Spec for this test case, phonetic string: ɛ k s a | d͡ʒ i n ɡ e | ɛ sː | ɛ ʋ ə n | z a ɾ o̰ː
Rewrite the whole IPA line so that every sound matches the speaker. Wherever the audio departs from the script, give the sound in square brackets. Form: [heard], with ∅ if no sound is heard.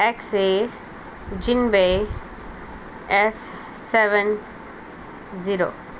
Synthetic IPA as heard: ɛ k s [e] | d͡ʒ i n [b] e | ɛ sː | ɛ ʋ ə n | z [i] ɾ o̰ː